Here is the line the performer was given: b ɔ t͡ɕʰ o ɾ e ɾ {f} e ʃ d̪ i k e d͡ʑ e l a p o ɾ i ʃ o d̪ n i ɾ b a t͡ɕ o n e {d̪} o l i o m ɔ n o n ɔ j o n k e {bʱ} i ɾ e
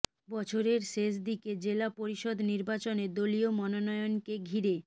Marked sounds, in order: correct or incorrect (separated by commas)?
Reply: incorrect, correct, incorrect